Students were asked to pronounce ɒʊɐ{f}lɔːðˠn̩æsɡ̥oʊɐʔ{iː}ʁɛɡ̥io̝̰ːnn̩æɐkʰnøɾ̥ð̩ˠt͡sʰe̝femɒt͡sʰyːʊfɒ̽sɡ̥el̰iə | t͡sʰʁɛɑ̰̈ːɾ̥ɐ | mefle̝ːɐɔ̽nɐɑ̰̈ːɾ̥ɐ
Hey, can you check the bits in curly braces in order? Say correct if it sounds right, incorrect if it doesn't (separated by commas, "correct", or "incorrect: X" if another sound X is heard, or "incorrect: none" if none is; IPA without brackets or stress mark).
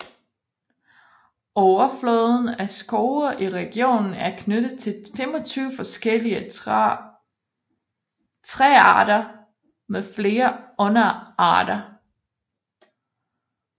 correct, incorrect: i